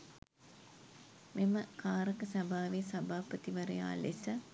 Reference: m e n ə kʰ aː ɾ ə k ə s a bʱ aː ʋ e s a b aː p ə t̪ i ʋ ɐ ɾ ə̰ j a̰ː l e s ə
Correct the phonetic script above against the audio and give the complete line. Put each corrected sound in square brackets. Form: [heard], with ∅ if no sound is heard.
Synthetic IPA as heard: m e [m] ə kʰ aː ɾ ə k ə s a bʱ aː ʋ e s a b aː p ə t̪ i ʋ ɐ ɾ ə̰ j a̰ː l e s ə